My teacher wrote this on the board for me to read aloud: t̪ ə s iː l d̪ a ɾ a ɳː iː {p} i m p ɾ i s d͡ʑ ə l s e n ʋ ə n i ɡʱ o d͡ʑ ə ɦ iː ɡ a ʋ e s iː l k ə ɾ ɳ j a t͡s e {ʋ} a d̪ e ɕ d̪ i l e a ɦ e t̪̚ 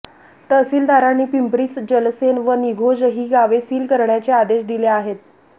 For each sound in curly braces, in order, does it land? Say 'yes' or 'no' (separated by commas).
yes, no